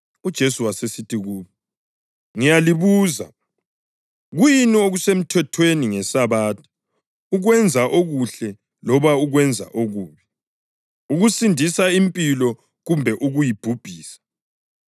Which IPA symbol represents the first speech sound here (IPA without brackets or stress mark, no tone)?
u